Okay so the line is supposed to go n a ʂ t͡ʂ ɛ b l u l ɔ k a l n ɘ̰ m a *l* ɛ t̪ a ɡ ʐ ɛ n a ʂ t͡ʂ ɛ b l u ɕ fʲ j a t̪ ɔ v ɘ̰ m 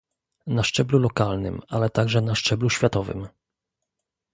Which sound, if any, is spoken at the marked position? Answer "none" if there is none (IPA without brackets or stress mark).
l